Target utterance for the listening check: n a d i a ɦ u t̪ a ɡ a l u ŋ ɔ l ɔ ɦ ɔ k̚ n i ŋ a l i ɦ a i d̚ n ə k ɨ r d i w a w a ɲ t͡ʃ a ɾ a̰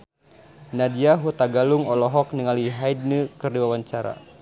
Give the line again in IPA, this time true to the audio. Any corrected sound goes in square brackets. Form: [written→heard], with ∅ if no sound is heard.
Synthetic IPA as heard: n a d i a ɦ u t̪ a ɡ a l u ŋ ɔ l ɔ ɦ ɔ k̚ n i ŋ a l i ɦ a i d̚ n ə k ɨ r d i w a w a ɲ t͡ʃ a ɾ a̰